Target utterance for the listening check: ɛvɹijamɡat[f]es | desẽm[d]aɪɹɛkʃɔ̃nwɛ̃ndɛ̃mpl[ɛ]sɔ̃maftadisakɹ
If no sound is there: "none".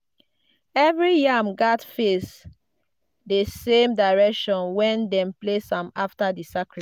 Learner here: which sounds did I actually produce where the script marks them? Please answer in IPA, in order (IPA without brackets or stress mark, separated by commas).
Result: f, d, e